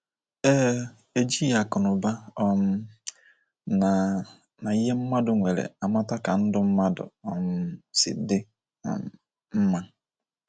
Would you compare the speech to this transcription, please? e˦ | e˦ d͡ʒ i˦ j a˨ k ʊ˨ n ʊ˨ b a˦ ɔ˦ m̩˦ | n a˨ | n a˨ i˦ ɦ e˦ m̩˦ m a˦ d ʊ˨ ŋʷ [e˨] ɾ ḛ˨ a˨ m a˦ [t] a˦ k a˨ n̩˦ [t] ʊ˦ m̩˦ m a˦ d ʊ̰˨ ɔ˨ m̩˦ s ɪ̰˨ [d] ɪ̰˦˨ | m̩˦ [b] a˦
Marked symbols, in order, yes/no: yes, yes, no, yes, no

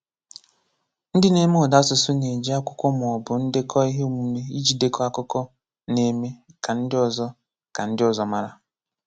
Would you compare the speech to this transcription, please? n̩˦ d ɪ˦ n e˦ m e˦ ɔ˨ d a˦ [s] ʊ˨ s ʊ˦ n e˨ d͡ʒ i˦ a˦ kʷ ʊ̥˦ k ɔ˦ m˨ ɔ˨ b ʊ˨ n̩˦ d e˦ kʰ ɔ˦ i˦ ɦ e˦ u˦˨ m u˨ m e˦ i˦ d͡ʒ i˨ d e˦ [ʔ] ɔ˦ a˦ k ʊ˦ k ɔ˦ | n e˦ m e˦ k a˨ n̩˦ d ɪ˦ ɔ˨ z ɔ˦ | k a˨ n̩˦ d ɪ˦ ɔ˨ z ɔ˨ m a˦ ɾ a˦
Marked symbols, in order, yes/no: yes, no

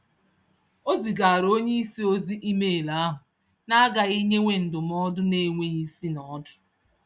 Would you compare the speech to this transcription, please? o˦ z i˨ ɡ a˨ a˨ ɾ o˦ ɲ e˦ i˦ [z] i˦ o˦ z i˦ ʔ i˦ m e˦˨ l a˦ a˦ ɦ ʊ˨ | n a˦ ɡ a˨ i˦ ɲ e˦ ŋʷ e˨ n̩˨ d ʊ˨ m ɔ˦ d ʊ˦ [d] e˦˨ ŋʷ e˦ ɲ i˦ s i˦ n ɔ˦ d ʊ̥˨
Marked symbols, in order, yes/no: no, no

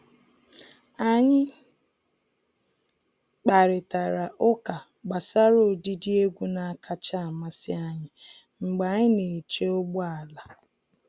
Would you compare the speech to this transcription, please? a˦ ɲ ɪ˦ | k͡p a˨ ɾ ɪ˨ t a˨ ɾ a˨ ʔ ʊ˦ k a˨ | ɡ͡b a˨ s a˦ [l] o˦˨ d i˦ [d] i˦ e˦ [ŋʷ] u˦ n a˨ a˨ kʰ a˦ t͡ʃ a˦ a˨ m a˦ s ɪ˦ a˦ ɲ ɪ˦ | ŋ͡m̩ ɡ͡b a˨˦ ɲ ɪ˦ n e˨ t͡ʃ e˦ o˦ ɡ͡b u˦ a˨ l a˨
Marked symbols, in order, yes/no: no, yes, no

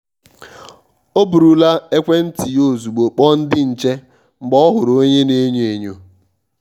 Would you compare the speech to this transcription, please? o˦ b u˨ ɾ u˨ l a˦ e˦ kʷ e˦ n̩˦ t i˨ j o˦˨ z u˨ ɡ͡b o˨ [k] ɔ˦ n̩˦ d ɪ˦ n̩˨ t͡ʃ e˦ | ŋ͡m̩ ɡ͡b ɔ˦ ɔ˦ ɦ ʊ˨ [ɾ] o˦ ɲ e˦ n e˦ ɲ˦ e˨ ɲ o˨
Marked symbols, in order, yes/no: no, yes

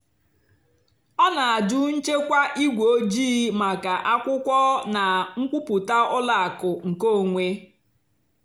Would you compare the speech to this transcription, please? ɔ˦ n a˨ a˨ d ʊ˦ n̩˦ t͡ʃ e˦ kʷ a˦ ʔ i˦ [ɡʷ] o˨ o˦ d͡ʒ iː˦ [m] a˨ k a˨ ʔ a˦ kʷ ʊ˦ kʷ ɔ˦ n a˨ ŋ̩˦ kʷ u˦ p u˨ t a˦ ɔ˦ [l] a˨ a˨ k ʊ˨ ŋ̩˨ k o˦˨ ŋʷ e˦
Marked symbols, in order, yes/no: yes, yes, yes

